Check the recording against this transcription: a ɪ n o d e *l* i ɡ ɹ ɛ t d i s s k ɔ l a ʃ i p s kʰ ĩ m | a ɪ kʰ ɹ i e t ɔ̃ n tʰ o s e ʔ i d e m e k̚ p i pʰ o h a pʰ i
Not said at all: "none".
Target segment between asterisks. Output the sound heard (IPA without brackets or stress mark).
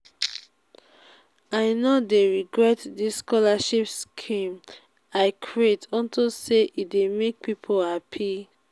ɹ